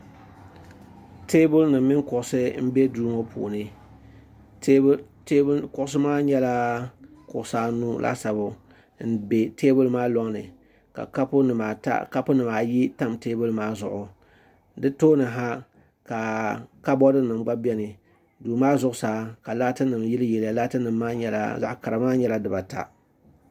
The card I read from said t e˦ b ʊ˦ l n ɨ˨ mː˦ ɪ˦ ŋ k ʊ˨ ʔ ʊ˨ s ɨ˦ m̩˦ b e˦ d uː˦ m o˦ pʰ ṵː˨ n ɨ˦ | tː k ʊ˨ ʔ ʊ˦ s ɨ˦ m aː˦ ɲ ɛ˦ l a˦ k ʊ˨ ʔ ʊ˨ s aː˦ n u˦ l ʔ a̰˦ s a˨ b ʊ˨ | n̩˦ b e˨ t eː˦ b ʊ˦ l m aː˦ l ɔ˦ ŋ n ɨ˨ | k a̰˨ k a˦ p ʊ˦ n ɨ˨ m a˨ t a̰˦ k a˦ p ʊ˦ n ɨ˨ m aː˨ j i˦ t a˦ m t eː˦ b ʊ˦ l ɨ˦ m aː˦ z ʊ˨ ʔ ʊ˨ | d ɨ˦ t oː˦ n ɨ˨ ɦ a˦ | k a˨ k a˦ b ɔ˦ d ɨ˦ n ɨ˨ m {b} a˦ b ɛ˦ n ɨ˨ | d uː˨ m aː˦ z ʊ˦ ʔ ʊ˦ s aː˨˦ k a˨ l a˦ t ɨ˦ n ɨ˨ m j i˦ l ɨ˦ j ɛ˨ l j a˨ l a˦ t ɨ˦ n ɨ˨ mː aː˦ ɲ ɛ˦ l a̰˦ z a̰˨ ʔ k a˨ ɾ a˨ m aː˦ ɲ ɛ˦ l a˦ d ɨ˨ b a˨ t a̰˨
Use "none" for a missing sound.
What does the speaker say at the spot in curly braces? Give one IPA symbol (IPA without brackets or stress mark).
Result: ɡ͡b